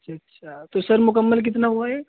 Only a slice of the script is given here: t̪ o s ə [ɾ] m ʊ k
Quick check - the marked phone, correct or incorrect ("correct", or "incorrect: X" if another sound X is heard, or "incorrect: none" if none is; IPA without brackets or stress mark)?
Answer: correct